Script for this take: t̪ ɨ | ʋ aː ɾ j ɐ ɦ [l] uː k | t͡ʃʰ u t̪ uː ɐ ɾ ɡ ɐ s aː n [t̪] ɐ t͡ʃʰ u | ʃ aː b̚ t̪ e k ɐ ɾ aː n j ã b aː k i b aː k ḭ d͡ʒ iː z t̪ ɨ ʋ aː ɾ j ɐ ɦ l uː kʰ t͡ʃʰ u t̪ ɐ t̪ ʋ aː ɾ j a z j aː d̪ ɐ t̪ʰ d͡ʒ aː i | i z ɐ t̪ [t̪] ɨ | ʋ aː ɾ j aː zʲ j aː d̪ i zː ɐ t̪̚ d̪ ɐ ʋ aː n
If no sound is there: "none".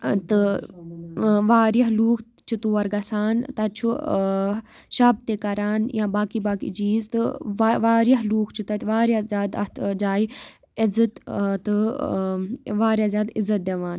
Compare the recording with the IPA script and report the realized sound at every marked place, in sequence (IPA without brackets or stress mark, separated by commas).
l, t̪, t̪